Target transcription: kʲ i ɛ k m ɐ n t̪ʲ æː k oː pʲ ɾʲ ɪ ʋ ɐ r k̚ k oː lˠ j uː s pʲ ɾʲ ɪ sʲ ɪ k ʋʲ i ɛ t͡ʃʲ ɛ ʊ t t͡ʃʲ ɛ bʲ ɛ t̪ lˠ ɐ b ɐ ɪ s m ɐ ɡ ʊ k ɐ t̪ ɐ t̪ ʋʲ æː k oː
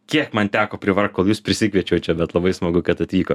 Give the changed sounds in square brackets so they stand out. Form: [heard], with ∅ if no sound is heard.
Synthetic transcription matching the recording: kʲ i ɛ k m ɐ n t̪ʲ æː k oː pʲ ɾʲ ɪ ʋ ɐ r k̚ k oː lˠ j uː s pʲ ɾʲ ɪ sʲ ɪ k ʋʲ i ɛ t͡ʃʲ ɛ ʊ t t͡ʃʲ ɛ bʲ ɛ t̪ lˠ ɐ b ɐ ɪ s m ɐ ɡ ʊ k ɐ t̪ ɐ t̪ ʋʲ [iː] k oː